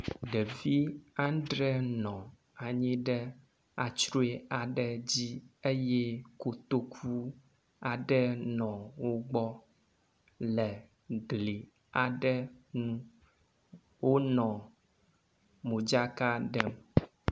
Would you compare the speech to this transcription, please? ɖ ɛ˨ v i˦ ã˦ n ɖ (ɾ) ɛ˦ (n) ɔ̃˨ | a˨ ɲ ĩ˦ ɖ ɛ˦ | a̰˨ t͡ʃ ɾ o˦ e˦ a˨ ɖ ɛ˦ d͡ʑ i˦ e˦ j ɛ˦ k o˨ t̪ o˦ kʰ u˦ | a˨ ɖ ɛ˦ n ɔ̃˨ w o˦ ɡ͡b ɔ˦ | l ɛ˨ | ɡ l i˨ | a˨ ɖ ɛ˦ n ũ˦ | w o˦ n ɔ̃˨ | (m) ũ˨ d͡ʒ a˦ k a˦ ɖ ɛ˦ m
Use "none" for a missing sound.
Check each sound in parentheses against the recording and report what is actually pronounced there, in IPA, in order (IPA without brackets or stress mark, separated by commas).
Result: ɾ, n, m